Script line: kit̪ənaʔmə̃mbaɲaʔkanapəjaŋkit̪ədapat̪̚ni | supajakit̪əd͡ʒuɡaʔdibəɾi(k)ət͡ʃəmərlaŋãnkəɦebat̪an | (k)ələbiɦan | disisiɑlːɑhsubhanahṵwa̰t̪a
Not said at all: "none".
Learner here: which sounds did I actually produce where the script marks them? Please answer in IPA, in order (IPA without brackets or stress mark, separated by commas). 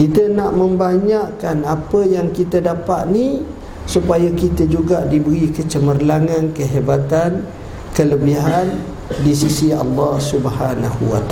k, k